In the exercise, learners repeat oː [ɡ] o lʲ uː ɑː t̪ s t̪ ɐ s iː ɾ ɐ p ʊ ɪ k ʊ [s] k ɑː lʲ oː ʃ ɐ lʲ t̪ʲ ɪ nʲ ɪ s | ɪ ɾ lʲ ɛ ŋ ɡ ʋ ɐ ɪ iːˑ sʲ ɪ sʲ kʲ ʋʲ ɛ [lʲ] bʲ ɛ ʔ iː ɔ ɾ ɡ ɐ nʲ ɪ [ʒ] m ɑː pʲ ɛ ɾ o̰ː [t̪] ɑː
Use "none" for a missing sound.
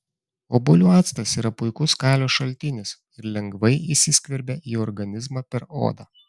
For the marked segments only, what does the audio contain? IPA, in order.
b, s, ɾʲ, z, d̪

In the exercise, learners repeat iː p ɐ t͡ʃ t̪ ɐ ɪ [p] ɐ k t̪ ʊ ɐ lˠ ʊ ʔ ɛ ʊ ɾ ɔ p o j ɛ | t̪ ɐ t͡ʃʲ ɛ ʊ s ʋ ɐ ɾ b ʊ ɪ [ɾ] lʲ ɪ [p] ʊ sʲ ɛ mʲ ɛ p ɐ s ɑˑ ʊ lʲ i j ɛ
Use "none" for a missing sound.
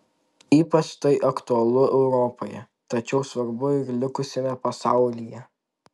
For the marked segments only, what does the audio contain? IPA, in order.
ʔ, ɾ, k

